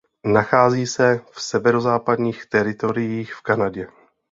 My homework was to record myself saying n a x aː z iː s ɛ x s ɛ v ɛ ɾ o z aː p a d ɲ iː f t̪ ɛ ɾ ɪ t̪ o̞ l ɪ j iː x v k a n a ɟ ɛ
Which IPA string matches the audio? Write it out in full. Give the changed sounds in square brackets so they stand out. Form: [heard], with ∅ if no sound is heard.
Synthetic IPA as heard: n a x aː z iː s ɛ [f] s ɛ v ɛ ɾ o z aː p a d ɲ iː [x] t̪ ɛ ɾ ɪ t̪ o̞ [ɾ] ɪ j iː x [f] k a n a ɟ ɛ